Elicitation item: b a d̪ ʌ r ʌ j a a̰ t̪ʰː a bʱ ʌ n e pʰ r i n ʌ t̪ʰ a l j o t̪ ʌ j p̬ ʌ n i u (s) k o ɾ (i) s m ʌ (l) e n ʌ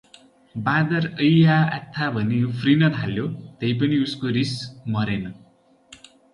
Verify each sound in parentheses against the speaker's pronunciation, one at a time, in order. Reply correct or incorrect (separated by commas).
correct, correct, incorrect